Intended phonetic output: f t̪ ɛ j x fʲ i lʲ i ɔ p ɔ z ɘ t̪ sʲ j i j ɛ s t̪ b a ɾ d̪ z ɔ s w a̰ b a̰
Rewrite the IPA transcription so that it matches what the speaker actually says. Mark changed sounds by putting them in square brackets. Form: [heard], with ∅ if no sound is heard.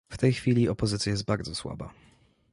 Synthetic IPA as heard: f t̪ ɛ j x fʲ i lʲ i ɔ p ɔ z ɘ t̪ sʲ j [a] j ɛ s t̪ b a ɾ d̪ z ɔ s w a̰ b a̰